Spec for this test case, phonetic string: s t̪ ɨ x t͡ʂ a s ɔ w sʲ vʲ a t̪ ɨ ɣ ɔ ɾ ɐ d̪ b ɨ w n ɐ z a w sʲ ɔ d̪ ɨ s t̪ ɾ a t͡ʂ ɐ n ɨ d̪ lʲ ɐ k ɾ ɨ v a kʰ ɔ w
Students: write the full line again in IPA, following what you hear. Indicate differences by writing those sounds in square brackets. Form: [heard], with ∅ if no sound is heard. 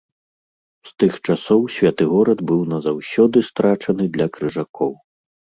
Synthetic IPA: s t̪ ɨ x t͡ʂ a s ɔ w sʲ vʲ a t̪ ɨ ɣ ɔ ɾ ɐ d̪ b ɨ w n ɐ z a w sʲ ɔ d̪ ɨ s t̪ ɾ a t͡ʂ ɐ n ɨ d̪ lʲ ɐ k ɾ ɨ [ʐ] a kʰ ɔ w

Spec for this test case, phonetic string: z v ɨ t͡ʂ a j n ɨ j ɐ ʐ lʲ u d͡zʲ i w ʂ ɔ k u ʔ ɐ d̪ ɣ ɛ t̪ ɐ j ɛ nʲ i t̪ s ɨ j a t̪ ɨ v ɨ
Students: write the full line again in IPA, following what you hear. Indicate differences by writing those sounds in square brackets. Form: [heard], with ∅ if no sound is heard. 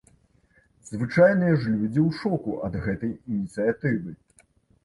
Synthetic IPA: z v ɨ t͡ʂ a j n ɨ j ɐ ʐ lʲ u d͡zʲ i w ʂ ɔ k u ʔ ɐ d̪ ɣ ɛ t̪ ɐ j [i] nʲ i t̪ s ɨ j a t̪ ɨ v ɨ

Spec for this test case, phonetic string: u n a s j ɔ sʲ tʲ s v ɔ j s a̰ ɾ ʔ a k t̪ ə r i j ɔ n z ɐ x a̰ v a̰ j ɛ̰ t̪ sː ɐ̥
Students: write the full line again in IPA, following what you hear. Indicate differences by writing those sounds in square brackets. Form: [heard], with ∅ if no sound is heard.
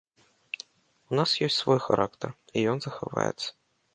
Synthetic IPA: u n a s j ɔ sʲ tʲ s v ɔ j [x] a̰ ɾ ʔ a k t̪ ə r i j ɔ n z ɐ x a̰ v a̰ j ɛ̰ t̪ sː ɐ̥

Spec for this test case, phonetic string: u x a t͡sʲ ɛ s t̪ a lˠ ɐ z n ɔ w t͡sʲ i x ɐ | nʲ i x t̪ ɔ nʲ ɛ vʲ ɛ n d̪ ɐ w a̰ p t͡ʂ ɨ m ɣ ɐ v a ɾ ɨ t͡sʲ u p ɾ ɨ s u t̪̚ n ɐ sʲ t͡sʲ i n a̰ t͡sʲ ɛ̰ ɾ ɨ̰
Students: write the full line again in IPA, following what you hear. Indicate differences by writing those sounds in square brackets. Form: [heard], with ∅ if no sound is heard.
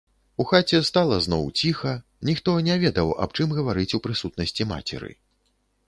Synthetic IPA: u x a t͡sʲ ɛ s t̪ a lˠ ɐ z n ɔ w t͡sʲ i x ɐ | nʲ i x t̪ ɔ nʲ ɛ vʲ ɛ [∅] d̪ ɐ w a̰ p t͡ʂ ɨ m ɣ ɐ v a ɾ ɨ t͡sʲ u p ɾ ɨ s u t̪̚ n ɐ sʲ t͡sʲ i [m] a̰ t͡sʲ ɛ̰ ɾ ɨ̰

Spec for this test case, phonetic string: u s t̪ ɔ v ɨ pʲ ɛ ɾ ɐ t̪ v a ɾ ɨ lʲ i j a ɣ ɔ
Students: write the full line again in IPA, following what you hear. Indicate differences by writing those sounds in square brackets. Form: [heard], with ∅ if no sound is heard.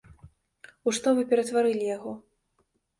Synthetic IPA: u [ʂ] t̪ ɔ v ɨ pʲ ɛ ɾ ɐ t̪ v a ɾ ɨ lʲ i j a ɣ ɔ

